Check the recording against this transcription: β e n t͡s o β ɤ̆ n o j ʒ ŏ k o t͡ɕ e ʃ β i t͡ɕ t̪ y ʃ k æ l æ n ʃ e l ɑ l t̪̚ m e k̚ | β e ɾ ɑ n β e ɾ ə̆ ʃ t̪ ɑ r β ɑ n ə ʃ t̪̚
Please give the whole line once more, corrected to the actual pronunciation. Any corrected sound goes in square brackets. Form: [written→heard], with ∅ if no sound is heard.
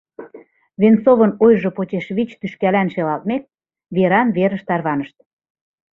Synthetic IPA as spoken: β e n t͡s o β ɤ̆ n o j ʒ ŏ [k→p] o t͡ɕ e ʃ β i t͡ɕ t̪ y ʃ k æ l æ n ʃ e l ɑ l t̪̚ m e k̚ | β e ɾ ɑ n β e ɾ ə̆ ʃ t̪ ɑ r β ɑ n ə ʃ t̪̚